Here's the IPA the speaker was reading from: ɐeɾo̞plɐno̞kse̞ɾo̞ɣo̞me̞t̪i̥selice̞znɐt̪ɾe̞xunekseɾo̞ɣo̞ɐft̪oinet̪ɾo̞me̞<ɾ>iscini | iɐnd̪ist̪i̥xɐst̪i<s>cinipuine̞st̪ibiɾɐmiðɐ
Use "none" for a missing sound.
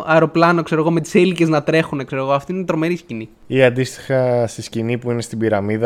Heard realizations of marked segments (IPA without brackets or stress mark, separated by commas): ɾ, s